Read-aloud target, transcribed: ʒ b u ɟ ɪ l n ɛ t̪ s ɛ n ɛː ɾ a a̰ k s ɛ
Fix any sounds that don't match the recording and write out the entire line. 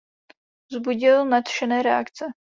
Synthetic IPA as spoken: z b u ɟ ɪ l n a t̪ ʃ ɛ n ɛː ɾ ɛ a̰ k t͡s ɛ